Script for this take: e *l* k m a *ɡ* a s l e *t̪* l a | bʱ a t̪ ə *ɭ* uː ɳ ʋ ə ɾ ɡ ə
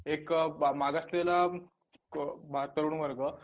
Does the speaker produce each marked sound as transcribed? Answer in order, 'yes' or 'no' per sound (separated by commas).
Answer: no, yes, no, no